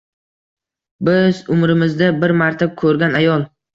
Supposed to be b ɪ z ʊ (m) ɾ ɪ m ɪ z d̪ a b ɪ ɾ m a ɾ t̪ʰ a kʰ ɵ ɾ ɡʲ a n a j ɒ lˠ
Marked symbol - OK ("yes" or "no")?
yes